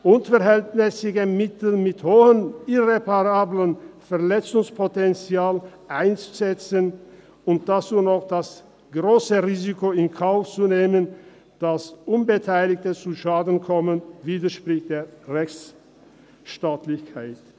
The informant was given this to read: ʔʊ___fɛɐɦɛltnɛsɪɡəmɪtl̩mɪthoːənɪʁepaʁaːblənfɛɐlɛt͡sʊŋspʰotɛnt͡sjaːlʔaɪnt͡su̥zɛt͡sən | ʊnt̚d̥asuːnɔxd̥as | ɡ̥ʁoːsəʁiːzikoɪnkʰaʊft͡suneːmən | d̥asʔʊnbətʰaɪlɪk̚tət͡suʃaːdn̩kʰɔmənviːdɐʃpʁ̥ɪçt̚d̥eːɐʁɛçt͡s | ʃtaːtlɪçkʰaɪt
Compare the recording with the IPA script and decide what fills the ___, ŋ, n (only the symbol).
n